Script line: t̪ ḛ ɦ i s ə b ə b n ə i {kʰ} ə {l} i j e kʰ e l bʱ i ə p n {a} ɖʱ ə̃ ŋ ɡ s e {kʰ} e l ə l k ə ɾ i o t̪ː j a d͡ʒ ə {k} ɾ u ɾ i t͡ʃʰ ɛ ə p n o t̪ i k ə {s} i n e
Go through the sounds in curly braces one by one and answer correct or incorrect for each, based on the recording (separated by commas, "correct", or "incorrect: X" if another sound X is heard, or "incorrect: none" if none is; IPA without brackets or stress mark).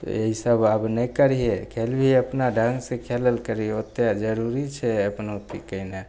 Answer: incorrect: k, incorrect: ɾ, correct, correct, incorrect: none, incorrect: none